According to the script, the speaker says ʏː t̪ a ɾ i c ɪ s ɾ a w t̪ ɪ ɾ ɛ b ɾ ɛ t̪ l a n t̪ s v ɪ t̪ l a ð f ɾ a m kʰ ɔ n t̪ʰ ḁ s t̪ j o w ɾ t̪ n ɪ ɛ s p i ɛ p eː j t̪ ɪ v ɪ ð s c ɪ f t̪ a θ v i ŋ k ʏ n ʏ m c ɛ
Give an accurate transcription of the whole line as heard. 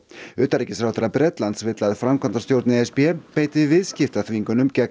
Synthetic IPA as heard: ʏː t̪ a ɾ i c ɪ s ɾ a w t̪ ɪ ɾ a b ɾ ɛ t̪ l a n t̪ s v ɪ t̪ l a ð f ɾ a m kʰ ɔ n t̪ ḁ s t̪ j o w ɾ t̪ n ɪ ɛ s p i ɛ p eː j t̪ ɪ v ɪ ð s c ɪ f t̪ a θ v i ŋ k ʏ n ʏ m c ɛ

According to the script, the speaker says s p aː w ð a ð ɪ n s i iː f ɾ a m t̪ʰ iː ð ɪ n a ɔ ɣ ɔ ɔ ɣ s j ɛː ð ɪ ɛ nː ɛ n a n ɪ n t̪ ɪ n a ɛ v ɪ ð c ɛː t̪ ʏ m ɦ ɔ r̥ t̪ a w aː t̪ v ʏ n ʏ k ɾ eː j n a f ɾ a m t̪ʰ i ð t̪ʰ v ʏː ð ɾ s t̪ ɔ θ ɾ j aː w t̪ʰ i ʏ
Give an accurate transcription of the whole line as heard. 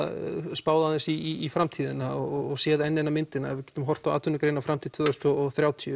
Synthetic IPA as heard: s p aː w ð a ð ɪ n s i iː f ɾ a m t̪ʰ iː ð ɪ n a ɔ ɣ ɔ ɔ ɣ s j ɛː ð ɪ ɛ nː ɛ n a m ɪ n t̪ ɪ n a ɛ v ɪ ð c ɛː t̪ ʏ m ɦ ɔ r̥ t̪ a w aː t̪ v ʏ n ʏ k ɾ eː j n a f ɾ a m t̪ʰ i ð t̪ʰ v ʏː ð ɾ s t̪ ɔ θ ɾ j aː w t̪ʰ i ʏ

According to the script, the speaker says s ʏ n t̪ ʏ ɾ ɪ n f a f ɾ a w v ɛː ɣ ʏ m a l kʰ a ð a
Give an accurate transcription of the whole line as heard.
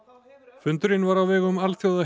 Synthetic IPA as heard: f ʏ n t̪ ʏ ɾ ɪ n v a ɾ a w v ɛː ɣ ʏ m a l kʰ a ð a

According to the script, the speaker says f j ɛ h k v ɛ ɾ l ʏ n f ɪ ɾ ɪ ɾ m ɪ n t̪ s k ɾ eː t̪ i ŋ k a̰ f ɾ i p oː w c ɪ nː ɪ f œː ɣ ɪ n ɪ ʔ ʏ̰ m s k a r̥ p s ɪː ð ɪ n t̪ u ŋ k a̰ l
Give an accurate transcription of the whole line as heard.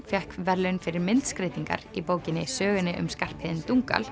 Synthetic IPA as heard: f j ɛ h k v ɛ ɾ l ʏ n f ɪ ɾ ɪ ɾ m ɪ n t̪ s k ɾ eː t̪ i ŋ k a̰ ɾ i p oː w c ɪ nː ɪ s œː ɣ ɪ n ɪ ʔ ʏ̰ m s k a r̥ p h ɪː ð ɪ n t̪ u ŋ k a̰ l

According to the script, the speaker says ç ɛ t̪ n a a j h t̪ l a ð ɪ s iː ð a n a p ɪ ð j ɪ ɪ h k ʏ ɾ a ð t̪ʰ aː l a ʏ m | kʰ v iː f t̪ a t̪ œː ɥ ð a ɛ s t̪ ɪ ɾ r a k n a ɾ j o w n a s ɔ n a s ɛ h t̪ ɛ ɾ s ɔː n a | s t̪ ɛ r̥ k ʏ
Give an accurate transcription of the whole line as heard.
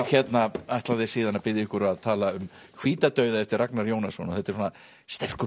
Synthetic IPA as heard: ç ɛ t̪ n a a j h t̪ l a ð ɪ s iː ð a n a p ɪ ð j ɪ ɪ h k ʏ ɾ a ð t̪ʰ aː l a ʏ m | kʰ v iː t̪ a t̪ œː ɥ ð a ɛ f t̪ ɪ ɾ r a k n a ɾ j o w n a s ɔ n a θ ɛ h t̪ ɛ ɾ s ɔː n a | s t̪ ɛ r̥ k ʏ

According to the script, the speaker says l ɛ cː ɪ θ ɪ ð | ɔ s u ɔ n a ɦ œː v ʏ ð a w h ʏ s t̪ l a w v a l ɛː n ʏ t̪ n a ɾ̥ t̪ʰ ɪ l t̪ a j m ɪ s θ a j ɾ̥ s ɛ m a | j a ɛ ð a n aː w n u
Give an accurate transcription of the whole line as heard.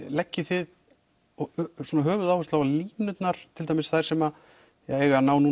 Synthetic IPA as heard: l ɛ cː ɪ θ ɪ ð | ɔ s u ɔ n a ɦ œː v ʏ ð a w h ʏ s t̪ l a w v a l iː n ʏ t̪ n a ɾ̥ t̪ʰ ɪ l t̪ a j m ɪ s θ a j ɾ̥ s ɛ m a | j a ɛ ɣ a n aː w n u

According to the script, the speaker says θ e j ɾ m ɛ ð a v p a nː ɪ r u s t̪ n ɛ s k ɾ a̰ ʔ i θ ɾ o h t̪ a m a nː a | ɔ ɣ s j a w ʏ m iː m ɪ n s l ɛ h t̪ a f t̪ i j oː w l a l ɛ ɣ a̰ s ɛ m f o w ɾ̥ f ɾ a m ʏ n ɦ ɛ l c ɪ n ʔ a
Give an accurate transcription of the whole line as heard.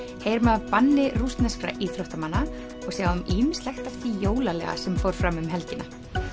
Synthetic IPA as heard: h e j ɾ m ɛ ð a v p a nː ɪ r u s t̪ n ɛ s k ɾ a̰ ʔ i θ ɾ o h t̪ a m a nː a | ɔ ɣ s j a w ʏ m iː m ɪ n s l ɛ x t̪ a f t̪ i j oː w l a l ɛ ɣ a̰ s ɛ m f o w ɾ̥ f ɾ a m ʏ m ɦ ɛ l c ɪ n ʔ a

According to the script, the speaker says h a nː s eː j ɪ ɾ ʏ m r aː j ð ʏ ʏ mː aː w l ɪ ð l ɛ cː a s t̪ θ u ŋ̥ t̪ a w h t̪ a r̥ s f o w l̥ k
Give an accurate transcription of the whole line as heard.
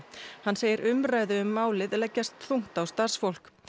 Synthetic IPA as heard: h a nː s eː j ɪ ɾ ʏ m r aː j ð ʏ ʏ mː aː w l ɪ ð l ɛ cː a s t̪ θ u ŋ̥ t̪ a w s t̪ a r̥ s f o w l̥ k

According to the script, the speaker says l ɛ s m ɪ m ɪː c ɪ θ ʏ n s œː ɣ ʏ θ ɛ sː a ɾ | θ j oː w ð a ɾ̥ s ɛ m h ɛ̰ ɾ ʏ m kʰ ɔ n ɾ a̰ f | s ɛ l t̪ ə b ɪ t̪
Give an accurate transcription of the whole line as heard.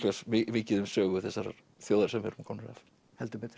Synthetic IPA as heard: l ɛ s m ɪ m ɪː c ɪ ð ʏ m s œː ɣ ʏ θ ɛ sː a ɾ | θ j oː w ð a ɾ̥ s ɛ m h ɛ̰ ɾ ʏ m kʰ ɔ n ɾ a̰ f | h ɛ l t̪ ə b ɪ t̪

